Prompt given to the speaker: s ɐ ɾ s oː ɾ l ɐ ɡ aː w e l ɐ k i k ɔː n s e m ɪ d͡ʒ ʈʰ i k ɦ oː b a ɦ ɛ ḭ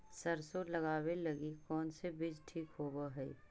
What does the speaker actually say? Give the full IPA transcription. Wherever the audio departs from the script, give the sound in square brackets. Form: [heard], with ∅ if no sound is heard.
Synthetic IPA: s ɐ ɾ s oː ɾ l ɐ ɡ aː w e l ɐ [ɡ] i k ɔː n s e [b] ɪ d͡ʒ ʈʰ [iː] k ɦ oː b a ɦ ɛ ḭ